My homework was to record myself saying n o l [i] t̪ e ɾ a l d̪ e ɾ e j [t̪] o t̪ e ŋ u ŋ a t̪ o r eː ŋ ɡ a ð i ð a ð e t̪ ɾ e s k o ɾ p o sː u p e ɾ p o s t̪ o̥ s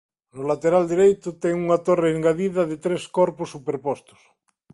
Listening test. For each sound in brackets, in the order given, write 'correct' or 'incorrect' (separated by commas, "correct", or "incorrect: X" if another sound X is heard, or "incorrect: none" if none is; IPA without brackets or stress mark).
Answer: incorrect: a, correct